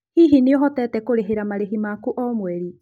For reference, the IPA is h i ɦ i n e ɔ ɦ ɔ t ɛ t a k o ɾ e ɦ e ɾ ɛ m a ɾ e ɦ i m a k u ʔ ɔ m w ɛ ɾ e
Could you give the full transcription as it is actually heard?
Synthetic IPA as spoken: h i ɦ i n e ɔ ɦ ɔ t ɛ t ɛ k o ɾ e ɦ e ɾ a m a ɾ e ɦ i m a k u ʔ ɔ m w ɛ ɾ i